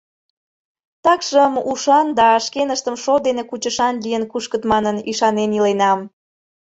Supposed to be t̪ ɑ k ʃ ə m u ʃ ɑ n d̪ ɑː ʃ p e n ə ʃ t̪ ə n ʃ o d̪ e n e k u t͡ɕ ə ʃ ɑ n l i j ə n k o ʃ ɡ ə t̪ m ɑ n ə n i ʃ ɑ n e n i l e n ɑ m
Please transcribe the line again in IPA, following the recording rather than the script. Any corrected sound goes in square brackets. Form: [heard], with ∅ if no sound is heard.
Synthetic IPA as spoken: t̪ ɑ k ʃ ə m u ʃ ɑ n d̪ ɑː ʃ [k] e n ə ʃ t̪ ə [m] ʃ o d̪ e n e k u t͡ɕ ə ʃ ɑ n l i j ə n k [u] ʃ [k] ə t̪ m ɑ n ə n i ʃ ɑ n e n i l e n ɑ m